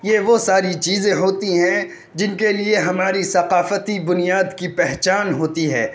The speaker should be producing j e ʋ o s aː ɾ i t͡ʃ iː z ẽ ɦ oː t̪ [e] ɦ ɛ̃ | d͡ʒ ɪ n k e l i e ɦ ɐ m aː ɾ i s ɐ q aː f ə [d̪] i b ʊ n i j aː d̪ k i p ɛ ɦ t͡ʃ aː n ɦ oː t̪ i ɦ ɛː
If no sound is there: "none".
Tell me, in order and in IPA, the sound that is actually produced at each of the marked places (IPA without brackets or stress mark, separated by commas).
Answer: i, t̪